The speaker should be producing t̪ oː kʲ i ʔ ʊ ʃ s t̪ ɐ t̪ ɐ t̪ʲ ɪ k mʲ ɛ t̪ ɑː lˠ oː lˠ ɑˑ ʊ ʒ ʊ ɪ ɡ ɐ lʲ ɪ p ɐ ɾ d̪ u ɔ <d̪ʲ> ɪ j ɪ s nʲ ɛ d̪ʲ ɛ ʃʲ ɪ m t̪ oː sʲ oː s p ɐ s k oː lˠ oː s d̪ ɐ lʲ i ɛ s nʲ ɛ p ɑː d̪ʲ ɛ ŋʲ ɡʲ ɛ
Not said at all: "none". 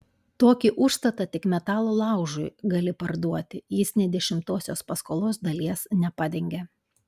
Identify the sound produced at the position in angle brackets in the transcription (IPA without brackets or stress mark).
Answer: t̪ʲ